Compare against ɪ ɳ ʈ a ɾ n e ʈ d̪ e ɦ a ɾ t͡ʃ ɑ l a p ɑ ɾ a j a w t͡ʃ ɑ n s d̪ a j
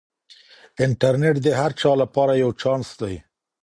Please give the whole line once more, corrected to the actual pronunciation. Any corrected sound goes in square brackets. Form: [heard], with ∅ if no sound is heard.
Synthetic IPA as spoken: ɪ ɳ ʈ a ɾ n e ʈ d̪ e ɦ a ɾ t͡ʃ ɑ l a p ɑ ɾ a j a w t͡ʃ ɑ n s d̪ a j